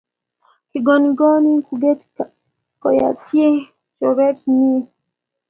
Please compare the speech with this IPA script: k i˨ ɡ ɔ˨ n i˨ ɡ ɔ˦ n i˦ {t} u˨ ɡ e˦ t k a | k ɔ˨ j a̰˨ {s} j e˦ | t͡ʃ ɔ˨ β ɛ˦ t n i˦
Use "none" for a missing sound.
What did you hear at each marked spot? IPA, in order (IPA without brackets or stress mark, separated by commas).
k, t